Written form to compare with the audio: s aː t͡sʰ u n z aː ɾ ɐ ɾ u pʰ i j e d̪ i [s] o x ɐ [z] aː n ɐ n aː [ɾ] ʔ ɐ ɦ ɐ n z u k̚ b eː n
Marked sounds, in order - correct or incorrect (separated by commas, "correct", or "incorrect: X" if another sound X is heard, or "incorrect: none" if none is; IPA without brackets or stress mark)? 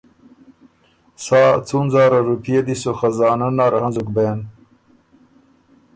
correct, correct, correct